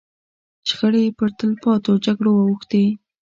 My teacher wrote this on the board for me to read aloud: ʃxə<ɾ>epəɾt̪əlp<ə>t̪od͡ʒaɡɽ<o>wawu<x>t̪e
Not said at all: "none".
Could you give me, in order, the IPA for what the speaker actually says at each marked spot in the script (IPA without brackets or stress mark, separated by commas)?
ɽ, ɑ, o, x